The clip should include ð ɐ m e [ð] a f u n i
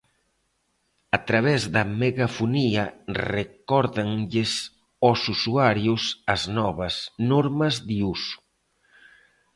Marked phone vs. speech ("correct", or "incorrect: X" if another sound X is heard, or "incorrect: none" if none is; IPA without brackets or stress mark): incorrect: ɣ